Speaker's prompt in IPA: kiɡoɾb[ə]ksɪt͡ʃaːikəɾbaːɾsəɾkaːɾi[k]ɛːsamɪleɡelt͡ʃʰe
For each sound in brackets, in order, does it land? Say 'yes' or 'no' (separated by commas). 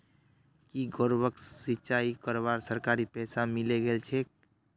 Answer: yes, no